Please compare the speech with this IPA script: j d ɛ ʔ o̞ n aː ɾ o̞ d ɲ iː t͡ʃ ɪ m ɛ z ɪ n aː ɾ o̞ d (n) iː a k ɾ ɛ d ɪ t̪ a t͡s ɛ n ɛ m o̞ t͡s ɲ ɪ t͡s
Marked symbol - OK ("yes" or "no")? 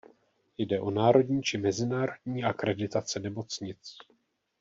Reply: no